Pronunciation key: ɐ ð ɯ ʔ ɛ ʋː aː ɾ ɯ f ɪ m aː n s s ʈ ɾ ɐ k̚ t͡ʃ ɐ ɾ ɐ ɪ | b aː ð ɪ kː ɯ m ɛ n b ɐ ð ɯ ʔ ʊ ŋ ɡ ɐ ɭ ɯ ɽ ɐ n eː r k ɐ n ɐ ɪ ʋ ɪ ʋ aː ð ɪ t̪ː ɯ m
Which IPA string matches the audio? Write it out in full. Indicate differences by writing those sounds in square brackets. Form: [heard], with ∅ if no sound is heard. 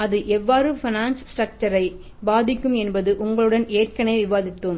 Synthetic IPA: ɐ ð ɯ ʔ ɛ ʋː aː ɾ ɯ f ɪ [n] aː n s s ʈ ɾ ɐ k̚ t͡ʃ ɐ ɾ ɐ ɪ | b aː ð ɪ kː ɯ m ɛ n b ɐ ð ɯ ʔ ʊ ŋ ɡ ɐ ɭ ɯ ɽ ɐ n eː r k ɐ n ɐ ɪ ʋ ɪ ʋ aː ð ɪ t̪ː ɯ m